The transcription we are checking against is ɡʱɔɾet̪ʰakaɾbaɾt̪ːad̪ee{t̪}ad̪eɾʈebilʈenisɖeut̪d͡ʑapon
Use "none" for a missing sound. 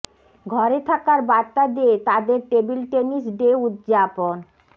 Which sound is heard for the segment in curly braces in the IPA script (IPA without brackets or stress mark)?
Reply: t̪